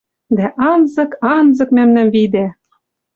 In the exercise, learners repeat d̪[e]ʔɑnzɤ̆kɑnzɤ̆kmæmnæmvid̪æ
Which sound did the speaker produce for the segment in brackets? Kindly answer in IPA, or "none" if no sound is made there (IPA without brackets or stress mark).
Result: æ